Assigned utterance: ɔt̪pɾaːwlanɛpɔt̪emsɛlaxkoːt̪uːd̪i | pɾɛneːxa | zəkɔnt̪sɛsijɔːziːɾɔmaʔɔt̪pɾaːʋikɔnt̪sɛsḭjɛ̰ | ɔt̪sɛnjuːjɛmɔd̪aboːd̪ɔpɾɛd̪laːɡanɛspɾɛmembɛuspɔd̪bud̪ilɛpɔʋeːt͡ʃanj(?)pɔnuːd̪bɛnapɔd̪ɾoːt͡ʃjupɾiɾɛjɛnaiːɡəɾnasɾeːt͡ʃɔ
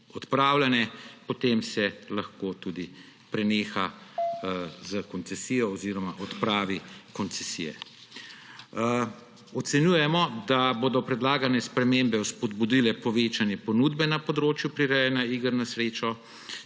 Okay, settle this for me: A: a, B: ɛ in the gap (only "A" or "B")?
B